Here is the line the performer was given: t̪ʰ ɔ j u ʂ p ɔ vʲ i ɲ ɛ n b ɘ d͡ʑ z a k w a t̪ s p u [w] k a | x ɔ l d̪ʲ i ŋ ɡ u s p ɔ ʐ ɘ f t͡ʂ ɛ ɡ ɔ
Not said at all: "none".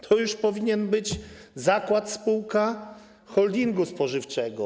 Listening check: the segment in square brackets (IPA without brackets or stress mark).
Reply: w